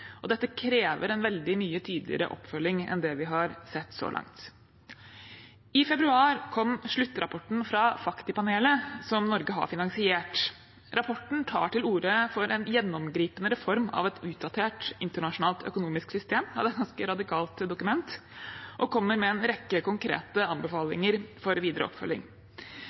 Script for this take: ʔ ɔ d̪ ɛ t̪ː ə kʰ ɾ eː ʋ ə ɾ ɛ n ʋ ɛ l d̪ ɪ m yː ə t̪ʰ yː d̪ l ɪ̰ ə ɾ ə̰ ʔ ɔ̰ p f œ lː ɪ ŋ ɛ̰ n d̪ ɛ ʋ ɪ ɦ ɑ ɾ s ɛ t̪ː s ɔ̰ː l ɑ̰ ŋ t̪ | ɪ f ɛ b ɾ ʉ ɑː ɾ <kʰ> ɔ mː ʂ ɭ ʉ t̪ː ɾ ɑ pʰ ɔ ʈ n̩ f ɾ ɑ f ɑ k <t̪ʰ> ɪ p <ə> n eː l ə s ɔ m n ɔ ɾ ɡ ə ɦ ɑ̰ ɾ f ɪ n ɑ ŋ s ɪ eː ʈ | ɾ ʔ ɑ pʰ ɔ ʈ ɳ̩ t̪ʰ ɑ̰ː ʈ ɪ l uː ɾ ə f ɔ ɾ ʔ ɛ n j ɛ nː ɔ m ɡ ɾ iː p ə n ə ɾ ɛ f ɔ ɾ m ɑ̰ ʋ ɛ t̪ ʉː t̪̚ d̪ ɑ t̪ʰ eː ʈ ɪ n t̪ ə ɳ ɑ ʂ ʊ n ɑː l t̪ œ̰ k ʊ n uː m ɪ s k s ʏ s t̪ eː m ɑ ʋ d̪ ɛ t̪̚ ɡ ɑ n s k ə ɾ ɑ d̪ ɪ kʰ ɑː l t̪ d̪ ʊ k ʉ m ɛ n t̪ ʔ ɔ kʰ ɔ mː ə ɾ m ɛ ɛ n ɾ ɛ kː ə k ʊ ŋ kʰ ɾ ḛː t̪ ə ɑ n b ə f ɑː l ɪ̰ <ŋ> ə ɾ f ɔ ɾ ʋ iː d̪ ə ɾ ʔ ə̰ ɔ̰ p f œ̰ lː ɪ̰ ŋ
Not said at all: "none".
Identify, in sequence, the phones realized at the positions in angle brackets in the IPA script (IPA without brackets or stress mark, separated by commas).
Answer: kʰ, t̪, ɑ, ŋ